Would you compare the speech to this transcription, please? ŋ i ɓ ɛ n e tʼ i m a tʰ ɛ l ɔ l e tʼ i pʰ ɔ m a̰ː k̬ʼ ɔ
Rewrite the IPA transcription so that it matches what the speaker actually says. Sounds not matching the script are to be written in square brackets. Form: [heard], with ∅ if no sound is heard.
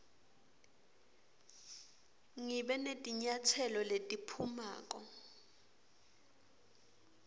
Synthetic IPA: ŋ i ɓ ɛ n e tʼ i [ɲ] a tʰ ɛ l ɔ l e tʼ i pʰ [u] m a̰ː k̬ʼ ɔ